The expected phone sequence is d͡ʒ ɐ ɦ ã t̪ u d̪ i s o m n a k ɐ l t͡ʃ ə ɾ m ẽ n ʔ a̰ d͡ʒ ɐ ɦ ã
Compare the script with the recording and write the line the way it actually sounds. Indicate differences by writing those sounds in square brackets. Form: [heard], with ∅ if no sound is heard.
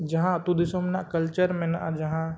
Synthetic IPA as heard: d͡ʒ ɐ ɦ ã t̪ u d̪ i s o m n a k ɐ l t͡ʃ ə ɾ m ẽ n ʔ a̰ d͡ʒ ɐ ɦ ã